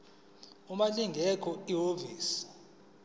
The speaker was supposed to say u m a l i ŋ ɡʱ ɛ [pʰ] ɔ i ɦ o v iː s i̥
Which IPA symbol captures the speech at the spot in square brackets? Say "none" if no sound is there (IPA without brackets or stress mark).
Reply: kʰ